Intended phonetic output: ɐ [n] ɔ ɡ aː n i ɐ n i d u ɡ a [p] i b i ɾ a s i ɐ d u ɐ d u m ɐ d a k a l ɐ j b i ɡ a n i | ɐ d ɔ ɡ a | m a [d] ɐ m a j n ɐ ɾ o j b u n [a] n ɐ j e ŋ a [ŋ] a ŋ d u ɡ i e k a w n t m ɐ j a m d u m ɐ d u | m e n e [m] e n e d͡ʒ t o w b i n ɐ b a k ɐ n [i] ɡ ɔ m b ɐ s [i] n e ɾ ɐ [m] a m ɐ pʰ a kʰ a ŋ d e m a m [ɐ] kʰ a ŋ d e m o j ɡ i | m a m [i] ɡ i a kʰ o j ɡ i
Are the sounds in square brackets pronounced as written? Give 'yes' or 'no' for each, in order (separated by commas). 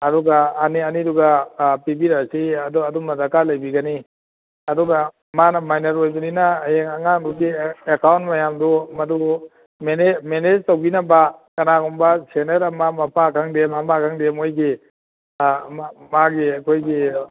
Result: no, yes, no, no, yes, yes, no, no, yes, no, no